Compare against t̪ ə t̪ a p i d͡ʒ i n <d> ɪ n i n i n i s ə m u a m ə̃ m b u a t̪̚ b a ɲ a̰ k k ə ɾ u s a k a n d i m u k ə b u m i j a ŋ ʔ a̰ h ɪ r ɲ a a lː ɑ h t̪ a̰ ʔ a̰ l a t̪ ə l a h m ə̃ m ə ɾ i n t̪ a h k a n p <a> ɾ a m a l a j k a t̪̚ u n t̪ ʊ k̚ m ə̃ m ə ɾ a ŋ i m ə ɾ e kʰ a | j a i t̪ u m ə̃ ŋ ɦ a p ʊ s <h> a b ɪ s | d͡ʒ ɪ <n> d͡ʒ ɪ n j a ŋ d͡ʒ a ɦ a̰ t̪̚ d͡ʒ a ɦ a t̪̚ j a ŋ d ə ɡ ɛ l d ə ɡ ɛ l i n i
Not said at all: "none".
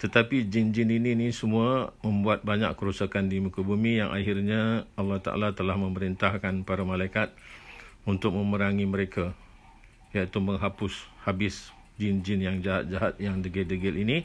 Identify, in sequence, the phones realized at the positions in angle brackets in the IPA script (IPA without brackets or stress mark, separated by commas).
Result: d͡ʒ, a, h, n